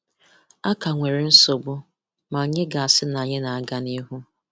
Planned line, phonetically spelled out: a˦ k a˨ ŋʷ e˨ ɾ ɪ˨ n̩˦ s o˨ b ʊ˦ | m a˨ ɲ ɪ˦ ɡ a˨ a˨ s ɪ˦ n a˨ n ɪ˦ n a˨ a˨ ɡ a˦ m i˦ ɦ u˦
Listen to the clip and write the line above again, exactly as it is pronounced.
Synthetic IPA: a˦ k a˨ ŋʷ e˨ ɾ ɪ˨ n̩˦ s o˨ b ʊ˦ | m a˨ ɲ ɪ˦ ɡ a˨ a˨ s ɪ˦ n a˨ ɲ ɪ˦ n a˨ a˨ ɡ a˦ n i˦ ɦ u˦